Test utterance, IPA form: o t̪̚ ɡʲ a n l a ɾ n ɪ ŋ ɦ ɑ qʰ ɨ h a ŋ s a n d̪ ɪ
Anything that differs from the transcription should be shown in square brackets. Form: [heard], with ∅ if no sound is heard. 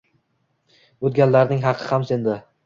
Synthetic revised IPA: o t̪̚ ɡʲ a n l a ɾ n ɪ ŋ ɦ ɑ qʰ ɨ h a [m] s [e] n d̪ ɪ